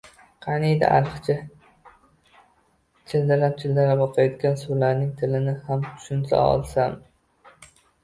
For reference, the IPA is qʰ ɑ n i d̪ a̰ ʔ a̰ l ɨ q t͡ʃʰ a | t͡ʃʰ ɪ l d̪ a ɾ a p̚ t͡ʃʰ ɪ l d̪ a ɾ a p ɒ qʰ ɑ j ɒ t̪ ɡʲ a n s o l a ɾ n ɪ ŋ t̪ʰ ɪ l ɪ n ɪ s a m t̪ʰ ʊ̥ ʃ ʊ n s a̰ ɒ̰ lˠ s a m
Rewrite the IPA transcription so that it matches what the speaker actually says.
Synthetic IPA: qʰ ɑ n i d̪ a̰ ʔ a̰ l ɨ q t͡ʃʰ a | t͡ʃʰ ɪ l d̪ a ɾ a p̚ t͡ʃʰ ɪ l d̪ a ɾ a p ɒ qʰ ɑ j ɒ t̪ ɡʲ a n s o l a ɾ n ɪ ŋ t̪ʰ ɪ l ɪ n ɪ h a m t̪ʰ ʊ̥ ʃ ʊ n s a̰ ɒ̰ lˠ s a m